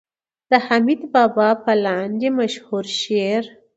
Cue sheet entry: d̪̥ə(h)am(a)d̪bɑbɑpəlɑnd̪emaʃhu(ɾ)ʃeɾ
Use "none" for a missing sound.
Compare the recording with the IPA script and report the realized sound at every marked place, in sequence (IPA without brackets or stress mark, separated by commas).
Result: h, i, ɾ